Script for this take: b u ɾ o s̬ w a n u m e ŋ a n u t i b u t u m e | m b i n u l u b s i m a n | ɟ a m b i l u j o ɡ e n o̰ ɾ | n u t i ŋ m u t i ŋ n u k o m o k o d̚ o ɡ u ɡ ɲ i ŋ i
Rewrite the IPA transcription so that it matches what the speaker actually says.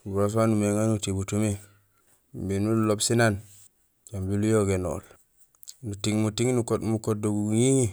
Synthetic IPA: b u ɾ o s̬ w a n u m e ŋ a n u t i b u t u m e | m b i n u l o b s i n a n | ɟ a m b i l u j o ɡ e n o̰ l | n u t i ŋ m u t i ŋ n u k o m u k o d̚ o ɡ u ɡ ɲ i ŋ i